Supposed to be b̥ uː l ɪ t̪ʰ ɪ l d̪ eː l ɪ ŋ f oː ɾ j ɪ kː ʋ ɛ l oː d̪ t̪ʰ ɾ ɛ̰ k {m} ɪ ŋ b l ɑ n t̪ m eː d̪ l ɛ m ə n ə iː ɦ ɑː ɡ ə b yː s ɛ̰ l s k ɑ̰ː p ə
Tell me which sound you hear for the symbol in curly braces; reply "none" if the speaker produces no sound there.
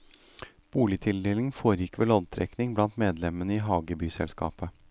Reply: n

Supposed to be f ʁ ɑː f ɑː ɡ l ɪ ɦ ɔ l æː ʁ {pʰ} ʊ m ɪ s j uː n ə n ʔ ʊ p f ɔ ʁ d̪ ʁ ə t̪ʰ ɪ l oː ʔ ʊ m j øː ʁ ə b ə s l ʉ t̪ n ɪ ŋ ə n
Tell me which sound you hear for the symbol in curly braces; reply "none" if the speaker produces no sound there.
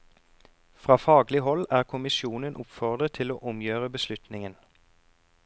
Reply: kʰ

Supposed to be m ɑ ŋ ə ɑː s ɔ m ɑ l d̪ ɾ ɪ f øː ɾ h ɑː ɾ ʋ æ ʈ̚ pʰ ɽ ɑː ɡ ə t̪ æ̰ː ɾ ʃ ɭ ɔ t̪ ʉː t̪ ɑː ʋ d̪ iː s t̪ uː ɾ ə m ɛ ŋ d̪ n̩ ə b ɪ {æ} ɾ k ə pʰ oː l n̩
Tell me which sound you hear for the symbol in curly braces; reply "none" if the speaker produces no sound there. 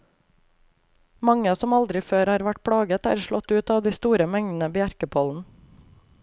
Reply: æ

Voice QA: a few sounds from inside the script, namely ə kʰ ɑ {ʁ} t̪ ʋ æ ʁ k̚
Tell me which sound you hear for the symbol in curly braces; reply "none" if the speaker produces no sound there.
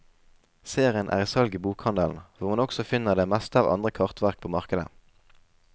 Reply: ʁ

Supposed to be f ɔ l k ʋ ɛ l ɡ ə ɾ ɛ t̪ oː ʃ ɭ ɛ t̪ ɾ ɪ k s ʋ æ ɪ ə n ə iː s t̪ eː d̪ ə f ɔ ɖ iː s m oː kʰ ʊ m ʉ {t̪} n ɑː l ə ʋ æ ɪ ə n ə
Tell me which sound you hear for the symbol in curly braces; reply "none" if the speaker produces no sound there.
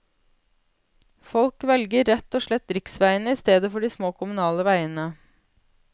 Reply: none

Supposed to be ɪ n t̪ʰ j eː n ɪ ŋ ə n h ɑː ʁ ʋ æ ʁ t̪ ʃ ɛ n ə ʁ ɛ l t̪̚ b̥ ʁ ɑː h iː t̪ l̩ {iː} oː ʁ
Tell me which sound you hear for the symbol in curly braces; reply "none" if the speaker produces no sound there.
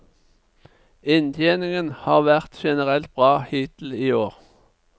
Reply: iː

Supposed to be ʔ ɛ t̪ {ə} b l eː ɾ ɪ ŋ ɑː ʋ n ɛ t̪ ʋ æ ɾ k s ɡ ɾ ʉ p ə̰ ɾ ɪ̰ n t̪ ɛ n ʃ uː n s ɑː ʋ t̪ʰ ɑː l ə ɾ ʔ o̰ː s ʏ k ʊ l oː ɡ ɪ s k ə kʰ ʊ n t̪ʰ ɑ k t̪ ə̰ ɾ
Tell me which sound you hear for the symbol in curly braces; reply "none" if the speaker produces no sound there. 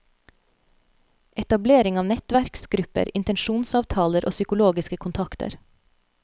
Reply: ɑ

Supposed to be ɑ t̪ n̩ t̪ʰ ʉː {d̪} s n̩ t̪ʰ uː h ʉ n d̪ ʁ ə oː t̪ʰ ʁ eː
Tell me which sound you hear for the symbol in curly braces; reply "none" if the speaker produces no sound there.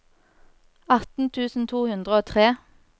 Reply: none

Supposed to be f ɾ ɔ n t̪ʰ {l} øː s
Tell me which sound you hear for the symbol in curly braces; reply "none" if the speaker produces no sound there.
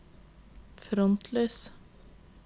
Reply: l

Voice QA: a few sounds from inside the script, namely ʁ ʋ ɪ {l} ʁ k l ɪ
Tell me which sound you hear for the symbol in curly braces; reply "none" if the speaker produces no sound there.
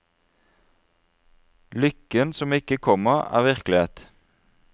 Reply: none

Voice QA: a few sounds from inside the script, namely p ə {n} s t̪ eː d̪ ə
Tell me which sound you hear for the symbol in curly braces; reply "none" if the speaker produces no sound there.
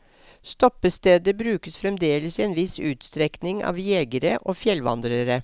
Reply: none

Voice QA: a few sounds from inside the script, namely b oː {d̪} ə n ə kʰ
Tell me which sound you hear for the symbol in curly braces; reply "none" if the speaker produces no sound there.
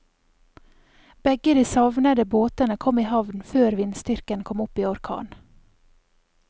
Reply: t̪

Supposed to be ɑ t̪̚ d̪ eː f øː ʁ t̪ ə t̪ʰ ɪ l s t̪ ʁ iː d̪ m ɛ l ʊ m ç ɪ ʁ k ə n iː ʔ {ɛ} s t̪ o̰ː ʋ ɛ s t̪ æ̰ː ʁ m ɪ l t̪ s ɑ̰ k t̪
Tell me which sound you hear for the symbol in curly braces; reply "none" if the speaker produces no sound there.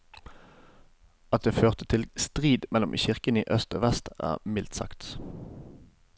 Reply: œ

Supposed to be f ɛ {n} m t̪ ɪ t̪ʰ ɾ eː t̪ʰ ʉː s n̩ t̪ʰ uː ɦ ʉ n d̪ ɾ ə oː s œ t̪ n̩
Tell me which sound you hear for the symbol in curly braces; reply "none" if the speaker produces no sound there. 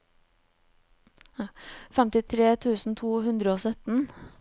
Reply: none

